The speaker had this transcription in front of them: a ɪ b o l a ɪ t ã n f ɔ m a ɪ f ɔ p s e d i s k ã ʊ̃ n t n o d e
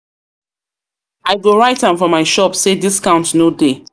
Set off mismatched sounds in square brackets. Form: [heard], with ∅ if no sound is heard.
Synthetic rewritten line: a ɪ [ɡ] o [ɹ] a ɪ t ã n f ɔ m a ɪ [ʃ] ɔ p s e d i s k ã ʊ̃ n t n o d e